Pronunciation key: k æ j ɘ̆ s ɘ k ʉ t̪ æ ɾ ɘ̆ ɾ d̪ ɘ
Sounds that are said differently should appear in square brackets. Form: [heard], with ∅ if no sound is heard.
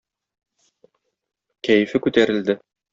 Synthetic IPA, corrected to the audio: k æ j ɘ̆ [f] ɘ k ʉ t̪ æ ɾ ɘ̆ [l] d̪ ɘ